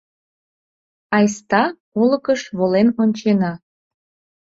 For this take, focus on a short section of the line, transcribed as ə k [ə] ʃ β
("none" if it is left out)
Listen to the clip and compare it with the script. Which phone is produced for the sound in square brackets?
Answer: ə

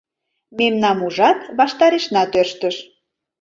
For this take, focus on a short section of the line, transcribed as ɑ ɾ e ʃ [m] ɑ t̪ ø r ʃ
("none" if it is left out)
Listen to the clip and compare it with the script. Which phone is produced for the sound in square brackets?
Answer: n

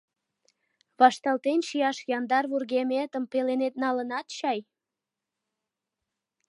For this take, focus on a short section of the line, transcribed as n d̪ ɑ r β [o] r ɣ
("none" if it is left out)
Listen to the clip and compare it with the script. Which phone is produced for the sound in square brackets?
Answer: u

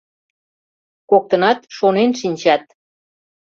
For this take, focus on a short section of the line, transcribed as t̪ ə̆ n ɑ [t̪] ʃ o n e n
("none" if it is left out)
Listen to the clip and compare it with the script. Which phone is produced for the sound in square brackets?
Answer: t̪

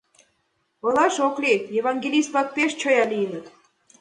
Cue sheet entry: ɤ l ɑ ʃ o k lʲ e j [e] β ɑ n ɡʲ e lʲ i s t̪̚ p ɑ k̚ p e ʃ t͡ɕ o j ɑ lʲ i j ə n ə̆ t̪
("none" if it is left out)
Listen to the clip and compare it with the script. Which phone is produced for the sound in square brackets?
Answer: e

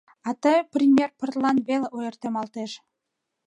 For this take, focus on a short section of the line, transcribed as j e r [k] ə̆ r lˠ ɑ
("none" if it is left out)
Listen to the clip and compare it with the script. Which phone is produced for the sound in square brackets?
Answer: p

